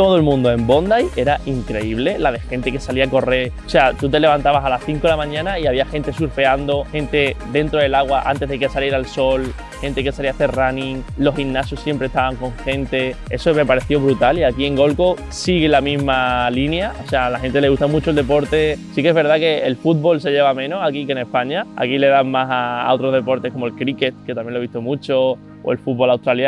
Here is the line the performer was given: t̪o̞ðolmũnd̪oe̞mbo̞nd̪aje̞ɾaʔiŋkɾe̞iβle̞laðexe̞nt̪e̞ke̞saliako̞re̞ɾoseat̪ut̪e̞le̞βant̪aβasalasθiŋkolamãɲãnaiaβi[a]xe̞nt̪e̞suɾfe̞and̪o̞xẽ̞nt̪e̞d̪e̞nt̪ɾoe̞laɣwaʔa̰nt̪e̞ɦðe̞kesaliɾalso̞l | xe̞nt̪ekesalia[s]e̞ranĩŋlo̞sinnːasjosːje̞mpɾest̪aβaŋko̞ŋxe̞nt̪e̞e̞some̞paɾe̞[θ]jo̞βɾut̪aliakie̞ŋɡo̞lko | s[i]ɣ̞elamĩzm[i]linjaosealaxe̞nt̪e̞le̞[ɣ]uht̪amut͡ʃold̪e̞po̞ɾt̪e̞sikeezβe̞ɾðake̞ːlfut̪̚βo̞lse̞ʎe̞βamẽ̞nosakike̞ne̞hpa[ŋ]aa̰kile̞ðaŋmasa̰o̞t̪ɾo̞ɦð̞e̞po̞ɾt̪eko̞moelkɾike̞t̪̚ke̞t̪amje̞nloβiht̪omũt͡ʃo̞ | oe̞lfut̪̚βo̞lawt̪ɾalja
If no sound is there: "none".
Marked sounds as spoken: a, θ, θ, i, a, ɣ, ɲ

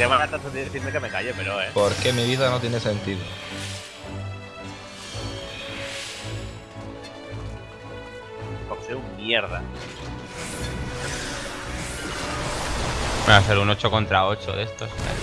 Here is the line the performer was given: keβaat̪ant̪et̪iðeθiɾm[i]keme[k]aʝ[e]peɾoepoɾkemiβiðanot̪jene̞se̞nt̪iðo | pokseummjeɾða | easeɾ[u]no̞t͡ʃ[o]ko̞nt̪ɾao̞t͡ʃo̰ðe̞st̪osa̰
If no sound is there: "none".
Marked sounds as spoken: e, k, e, u, o

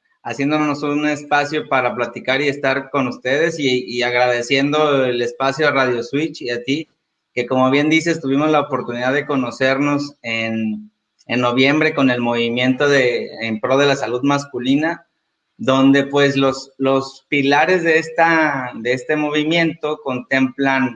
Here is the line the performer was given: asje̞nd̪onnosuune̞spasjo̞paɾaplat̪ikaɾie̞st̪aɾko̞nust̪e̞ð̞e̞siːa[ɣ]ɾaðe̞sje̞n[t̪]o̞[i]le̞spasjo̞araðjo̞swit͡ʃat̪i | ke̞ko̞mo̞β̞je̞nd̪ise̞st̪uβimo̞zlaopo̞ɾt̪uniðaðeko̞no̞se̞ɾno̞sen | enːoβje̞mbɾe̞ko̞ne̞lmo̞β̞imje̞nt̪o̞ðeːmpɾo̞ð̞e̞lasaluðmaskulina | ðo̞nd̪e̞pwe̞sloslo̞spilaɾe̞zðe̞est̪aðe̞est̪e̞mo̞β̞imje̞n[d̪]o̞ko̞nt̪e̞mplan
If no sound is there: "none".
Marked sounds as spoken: ɣ, d̪, e, t̪

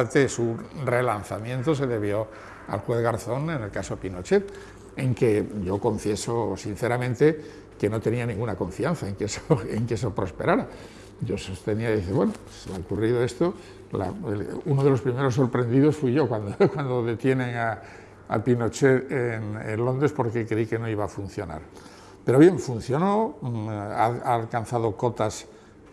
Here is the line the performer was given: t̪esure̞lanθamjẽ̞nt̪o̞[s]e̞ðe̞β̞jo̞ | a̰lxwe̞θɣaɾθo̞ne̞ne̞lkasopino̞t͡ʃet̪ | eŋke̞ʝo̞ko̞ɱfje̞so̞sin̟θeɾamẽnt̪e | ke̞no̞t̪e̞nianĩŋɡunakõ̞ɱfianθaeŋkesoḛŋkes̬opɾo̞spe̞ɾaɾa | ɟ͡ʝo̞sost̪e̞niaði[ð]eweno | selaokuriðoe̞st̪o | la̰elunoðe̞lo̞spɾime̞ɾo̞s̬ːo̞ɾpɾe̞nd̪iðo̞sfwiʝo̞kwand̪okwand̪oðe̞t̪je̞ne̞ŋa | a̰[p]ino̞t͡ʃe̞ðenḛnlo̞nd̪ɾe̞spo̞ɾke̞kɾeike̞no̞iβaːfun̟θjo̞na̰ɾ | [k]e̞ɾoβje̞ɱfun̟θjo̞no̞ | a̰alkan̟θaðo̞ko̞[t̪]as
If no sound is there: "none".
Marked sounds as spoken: s, θ, p, p, t̪

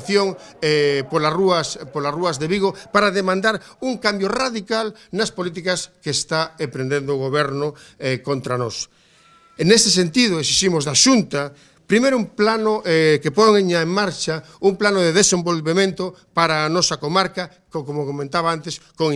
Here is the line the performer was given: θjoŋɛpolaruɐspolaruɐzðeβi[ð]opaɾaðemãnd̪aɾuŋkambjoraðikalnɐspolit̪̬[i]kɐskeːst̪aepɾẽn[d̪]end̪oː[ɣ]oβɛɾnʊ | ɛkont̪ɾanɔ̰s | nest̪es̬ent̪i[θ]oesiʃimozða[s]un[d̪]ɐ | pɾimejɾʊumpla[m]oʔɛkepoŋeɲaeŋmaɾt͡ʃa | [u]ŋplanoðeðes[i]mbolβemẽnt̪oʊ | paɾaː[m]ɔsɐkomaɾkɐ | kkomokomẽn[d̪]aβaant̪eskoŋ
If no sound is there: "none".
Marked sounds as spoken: ɣ, i, d̪, ɣ, ð, ʃ, t̪, n, u, e, n, t̪

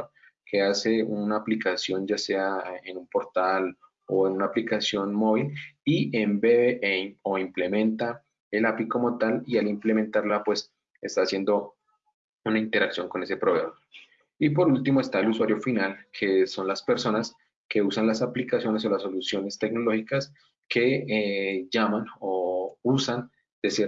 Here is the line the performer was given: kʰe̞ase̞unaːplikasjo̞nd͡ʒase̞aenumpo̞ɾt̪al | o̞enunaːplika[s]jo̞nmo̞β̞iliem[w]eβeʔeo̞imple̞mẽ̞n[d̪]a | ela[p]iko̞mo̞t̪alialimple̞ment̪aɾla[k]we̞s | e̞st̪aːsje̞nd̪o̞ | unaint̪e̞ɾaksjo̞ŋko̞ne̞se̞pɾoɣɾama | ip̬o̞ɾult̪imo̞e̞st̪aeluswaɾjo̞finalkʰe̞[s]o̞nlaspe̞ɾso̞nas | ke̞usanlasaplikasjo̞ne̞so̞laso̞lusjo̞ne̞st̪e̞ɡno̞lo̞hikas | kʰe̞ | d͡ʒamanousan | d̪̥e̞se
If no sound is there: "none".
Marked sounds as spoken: s, b, t̪, p, p, s

